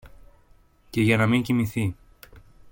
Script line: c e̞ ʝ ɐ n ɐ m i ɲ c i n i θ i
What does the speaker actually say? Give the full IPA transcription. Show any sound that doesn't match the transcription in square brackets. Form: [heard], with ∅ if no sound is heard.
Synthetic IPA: c e̞ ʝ ɐ n ɐ m i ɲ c i [m] i θ i